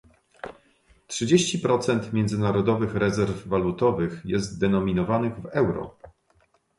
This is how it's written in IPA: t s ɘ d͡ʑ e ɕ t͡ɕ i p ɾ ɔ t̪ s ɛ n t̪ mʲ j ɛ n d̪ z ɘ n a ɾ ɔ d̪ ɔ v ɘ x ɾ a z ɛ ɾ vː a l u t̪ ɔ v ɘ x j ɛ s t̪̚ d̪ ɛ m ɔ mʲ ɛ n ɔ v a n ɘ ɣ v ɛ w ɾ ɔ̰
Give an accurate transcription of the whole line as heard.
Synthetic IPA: t ʂ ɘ d͡ʑ e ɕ t͡ɕ i p ɾ ɔ t̪ s ɛ n t̪ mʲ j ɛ n d̪ z ɘ n a ɾ ɔ d̪ ɔ v ɘ x ɾ ɛ z ɛ ɾ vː a l u t̪ ɔ v ɘ x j ɛ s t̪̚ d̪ ɛ n ɔ mʲ i n ɔ v a n ɘ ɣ v ɛ w ɾ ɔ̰

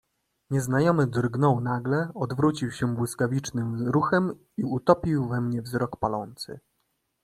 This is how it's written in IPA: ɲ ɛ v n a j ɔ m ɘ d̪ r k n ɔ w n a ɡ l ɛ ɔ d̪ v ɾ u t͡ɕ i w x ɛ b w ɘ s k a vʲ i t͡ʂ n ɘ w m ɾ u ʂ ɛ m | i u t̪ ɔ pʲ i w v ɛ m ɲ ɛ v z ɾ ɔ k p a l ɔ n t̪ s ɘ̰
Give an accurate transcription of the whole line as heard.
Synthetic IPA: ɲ ɛ z n a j ɔ m ɘ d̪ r ɡ n ɔ w n a ɡ l ɛ ɔ d̪ v ɾ u t͡ɕ i w ɕ ɛ b w ɘ s k a vʲ i t͡ʂ n ɘ m ɾ u x ɛ m | i u t̪ ɔ pʲ i w v ɛ m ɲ ɛ v z ɾ ɔ k p a l ɔ n t̪ s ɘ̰

